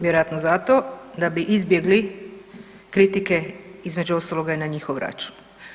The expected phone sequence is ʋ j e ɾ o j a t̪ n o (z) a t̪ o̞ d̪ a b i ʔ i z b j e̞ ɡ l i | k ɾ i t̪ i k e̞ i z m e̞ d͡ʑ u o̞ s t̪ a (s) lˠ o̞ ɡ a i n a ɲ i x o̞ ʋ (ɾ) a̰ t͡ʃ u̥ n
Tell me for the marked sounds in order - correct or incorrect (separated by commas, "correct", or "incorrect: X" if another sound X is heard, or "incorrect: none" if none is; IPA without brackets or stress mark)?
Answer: correct, incorrect: none, correct